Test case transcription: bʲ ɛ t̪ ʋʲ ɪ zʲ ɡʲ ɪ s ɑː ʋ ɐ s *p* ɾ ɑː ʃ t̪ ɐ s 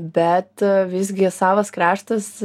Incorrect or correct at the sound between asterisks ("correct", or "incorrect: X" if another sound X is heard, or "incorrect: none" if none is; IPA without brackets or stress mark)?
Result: incorrect: k